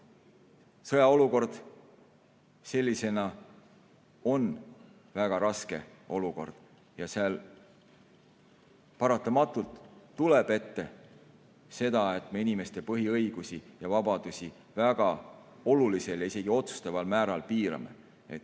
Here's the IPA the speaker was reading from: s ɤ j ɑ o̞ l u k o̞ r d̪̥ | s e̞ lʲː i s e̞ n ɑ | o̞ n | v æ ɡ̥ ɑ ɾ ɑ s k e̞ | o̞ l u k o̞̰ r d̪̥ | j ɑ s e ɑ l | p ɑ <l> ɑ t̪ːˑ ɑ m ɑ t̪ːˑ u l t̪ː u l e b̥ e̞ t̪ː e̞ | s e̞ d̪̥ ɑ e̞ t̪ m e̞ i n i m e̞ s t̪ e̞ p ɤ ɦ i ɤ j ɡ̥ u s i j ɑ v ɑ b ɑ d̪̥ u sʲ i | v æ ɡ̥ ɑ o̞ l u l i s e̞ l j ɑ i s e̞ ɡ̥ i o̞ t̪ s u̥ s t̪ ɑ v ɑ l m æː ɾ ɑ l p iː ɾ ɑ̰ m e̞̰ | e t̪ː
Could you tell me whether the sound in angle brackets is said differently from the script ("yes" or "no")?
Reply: yes